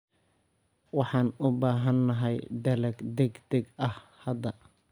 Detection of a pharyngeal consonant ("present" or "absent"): present